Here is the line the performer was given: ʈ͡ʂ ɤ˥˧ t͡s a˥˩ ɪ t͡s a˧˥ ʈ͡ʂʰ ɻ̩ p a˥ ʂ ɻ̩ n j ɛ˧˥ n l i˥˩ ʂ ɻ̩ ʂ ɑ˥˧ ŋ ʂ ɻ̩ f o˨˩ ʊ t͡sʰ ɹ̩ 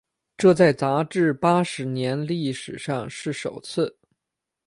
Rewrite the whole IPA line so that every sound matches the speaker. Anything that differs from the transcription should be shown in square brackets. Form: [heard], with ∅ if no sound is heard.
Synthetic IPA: ʈ͡ʂ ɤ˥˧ t͡s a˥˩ ɪ t͡s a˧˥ [ʈ͡ʂ] ɻ̩ p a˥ ʂ ɻ̩ n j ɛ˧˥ n l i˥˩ ʂ ɻ̩ ʂ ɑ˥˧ ŋ ʂ ɻ̩ [ʂ] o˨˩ ʊ t͡sʰ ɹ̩